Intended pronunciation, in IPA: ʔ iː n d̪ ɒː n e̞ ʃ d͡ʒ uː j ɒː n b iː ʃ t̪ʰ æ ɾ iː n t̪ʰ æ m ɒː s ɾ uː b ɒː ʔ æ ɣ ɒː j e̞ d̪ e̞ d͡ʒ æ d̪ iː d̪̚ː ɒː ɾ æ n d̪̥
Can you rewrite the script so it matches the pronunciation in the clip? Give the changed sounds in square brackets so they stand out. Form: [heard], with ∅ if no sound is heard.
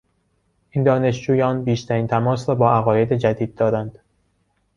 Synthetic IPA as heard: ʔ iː n d̪ ɒː n e̞ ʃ d͡ʒ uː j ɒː n b iː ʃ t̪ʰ æ ɾ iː n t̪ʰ æ m ɒː s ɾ [ɒː] b ɒː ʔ æ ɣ ɒː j e̞ d̪ e̞ d͡ʒ æ d̪ iː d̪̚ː ɒː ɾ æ n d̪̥